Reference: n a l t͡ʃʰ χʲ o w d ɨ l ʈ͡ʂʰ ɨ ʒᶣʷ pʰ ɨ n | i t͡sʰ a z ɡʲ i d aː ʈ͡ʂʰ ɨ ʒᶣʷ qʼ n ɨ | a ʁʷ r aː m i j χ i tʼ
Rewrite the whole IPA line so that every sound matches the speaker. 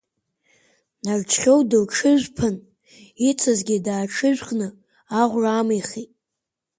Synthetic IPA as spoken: n a r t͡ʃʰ χʲ o w d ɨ l ʈ͡ʂʰ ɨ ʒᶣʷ pʰ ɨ n | i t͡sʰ a z ɡʲ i d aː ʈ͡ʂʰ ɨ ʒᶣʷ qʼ n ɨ | a ʁʷ r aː m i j χ i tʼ